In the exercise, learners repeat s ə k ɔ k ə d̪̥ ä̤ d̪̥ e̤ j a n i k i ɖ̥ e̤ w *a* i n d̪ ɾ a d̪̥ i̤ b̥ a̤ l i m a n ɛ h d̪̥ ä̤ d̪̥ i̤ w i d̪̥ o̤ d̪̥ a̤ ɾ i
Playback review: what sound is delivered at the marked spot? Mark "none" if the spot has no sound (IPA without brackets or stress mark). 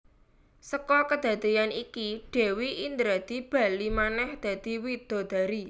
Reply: i